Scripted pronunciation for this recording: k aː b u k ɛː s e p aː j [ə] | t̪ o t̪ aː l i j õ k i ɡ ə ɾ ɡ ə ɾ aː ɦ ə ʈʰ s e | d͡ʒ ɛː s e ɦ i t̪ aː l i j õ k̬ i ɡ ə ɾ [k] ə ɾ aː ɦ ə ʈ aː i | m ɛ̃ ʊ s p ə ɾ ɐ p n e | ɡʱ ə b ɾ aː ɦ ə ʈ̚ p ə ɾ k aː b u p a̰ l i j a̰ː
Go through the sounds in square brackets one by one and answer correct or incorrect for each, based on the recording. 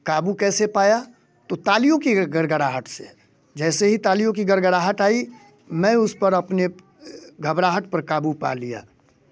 incorrect: a, incorrect: ɡ

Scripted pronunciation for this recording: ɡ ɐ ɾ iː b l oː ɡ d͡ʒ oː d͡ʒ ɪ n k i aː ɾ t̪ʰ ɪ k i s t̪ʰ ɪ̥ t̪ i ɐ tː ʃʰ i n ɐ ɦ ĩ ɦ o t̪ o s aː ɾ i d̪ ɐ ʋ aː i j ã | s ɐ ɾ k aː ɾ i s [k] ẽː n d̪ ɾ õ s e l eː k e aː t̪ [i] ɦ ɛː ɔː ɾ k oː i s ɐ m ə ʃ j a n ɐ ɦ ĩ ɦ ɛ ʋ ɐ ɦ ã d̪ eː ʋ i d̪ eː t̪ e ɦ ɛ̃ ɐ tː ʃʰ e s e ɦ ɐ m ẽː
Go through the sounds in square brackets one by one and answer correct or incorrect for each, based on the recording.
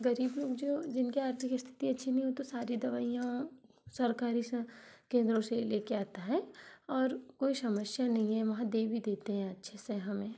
correct, incorrect: a

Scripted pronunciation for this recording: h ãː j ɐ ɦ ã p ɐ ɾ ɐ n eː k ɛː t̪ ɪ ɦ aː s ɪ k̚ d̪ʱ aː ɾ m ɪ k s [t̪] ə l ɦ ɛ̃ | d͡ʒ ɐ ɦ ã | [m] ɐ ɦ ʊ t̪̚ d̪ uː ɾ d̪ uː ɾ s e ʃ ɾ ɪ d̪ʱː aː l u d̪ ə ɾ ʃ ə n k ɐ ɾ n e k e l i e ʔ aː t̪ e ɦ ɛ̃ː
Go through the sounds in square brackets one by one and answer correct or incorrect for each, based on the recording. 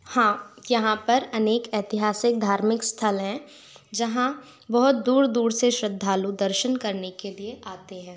incorrect: t̪ʰ, incorrect: b

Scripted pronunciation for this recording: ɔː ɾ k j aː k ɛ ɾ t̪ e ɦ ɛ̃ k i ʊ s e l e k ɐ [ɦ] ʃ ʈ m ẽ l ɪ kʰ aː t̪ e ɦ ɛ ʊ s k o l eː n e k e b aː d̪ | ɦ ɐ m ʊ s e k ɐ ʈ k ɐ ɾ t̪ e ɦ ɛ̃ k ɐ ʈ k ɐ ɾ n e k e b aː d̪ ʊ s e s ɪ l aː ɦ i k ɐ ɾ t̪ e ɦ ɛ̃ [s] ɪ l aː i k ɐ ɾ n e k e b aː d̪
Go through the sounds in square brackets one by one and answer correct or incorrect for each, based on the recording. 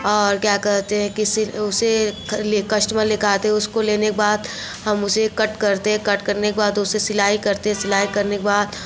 incorrect: none, correct

